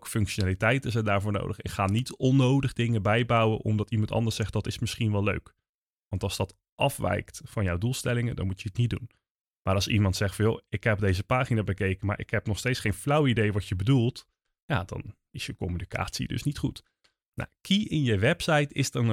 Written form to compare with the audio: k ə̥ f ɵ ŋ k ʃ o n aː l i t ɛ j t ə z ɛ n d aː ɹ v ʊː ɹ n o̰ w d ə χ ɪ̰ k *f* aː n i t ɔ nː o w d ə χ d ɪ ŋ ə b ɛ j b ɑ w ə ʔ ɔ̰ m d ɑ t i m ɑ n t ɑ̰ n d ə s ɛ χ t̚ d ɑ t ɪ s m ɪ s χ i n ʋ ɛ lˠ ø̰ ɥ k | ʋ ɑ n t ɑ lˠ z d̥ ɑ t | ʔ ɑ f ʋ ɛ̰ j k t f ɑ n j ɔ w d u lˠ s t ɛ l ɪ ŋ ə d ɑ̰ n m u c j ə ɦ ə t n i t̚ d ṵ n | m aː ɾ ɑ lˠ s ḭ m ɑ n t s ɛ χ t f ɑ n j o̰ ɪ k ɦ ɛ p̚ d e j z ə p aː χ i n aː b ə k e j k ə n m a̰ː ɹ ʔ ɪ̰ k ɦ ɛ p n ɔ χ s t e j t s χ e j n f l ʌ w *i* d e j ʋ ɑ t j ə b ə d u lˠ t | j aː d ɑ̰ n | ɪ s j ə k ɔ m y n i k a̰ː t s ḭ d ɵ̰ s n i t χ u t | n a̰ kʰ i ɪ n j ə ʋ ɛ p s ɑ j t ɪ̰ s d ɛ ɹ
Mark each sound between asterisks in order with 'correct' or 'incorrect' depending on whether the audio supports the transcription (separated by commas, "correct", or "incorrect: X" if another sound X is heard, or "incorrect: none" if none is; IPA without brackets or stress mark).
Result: incorrect: χ, correct